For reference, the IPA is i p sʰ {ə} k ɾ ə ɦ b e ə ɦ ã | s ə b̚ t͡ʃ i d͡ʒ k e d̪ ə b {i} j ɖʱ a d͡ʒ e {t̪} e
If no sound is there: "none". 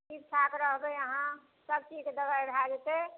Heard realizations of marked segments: a, a, t̪

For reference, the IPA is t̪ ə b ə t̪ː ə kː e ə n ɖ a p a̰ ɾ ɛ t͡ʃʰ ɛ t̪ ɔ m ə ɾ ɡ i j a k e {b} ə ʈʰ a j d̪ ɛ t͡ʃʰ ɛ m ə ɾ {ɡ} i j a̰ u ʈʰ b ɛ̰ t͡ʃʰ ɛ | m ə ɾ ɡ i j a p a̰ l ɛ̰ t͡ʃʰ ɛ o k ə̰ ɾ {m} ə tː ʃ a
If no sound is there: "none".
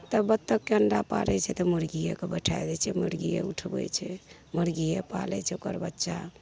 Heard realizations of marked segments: b, ɡ, b

